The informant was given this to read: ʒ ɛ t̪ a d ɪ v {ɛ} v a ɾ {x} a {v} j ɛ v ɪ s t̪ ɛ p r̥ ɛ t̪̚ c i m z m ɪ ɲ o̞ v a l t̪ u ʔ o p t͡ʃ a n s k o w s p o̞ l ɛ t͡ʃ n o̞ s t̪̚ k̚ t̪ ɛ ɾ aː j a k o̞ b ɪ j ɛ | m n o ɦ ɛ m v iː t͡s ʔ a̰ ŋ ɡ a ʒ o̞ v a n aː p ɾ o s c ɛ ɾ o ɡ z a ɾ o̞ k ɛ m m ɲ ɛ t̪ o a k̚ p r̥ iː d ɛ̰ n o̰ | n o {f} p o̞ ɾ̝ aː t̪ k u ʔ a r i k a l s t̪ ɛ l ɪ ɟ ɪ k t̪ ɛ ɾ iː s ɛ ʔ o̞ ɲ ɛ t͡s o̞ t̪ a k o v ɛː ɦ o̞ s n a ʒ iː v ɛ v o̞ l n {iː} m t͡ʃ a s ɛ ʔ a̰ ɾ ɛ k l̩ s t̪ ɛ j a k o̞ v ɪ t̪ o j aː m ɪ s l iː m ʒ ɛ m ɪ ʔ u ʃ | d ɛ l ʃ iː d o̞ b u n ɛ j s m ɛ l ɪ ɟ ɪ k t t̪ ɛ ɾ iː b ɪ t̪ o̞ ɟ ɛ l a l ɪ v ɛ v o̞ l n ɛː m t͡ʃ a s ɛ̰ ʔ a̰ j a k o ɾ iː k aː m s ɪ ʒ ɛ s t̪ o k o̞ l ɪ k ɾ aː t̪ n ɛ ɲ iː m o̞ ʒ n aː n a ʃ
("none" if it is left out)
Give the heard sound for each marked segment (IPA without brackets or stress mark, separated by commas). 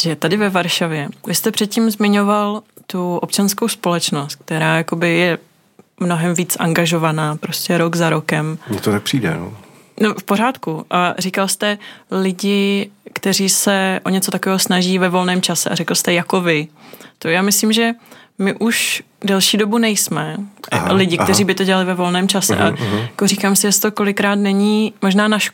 ɛ, ʃ, v, f, ɛː